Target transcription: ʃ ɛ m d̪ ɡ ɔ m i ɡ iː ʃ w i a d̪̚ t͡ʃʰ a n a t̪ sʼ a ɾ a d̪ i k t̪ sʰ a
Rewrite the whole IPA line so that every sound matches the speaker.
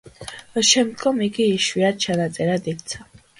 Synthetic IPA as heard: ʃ ɛ m d̪ ɡ ɔ m i ɡ iː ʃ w i a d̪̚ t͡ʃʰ a n a t̪ sʼ ɛ ɾ a d̪ i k t̪ sʰ a